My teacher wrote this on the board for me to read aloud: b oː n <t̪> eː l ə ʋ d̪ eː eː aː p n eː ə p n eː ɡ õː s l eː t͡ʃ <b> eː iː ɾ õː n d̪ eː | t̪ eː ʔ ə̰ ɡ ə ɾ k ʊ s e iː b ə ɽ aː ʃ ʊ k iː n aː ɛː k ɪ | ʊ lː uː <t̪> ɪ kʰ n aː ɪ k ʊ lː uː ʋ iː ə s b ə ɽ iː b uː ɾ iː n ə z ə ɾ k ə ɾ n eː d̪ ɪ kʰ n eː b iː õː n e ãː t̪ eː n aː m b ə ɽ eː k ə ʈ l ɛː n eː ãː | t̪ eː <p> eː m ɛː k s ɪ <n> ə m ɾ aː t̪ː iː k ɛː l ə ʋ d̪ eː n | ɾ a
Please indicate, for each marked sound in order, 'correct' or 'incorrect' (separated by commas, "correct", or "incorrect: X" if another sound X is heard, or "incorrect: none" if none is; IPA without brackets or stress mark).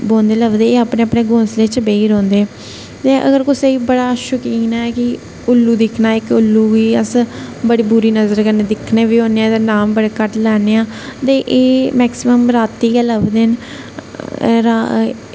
incorrect: d̪, correct, incorrect: d̪, incorrect: ʔ, incorrect: m